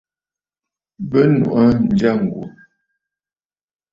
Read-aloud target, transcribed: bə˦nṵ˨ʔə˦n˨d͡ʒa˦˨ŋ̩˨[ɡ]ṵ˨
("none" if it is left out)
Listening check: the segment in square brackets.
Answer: ɡ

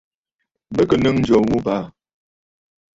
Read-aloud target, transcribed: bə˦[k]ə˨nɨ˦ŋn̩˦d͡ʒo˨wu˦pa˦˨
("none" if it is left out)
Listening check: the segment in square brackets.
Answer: k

